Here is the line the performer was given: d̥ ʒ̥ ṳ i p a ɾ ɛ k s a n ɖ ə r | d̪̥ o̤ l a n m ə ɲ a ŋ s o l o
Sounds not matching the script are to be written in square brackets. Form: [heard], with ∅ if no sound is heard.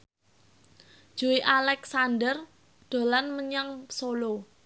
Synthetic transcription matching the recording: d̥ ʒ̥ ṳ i [ʔ] a [l] ɛ k s a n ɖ ə r | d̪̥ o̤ l a n m ə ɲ a ŋ s o l o